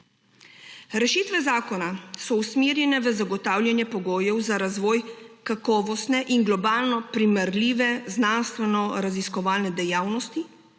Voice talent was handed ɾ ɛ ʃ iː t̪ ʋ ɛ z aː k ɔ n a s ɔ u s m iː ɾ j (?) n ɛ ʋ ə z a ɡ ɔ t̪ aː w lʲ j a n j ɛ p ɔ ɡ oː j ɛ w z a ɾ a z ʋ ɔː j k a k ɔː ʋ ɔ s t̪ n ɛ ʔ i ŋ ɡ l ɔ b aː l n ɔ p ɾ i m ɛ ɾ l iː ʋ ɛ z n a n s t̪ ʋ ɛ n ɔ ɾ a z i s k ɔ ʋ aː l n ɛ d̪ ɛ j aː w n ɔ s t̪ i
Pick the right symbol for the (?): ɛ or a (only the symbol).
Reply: ɛ